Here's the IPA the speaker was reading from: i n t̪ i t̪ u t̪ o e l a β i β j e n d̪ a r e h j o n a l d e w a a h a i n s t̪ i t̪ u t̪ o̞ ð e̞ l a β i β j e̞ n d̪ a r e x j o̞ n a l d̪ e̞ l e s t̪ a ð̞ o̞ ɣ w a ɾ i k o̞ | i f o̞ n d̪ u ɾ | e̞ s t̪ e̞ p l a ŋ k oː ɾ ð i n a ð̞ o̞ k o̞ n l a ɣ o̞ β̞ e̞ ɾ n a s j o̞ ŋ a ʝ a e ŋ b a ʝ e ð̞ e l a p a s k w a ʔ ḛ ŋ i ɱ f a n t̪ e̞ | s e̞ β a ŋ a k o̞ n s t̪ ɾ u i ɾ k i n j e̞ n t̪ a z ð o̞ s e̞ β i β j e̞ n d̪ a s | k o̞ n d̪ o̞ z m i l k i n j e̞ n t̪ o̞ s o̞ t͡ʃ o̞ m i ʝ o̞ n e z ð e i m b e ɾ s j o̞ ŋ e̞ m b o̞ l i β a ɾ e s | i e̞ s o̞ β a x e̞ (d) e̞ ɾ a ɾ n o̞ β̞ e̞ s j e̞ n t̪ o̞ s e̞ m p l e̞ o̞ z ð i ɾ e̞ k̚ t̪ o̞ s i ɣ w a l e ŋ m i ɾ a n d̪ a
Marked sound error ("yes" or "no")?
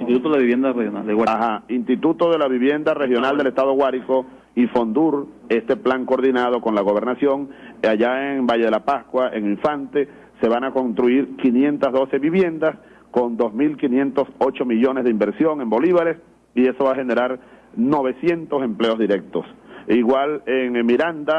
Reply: yes